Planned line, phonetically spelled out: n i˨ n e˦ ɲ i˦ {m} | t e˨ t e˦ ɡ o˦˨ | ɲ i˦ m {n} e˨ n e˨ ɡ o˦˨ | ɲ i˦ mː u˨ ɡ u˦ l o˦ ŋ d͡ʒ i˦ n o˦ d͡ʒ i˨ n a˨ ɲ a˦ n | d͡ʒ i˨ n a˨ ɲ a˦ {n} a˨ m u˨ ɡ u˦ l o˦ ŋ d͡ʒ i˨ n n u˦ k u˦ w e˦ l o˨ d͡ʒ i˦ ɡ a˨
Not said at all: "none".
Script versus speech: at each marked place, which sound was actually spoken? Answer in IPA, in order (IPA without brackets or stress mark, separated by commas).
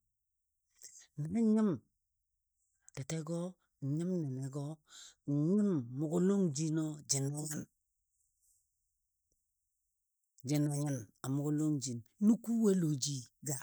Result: m, n, n